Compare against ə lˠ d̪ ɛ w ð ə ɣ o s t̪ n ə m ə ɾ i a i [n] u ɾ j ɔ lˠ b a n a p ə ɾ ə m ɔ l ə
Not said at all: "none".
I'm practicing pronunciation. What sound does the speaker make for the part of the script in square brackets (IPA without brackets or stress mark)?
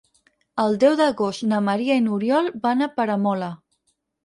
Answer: n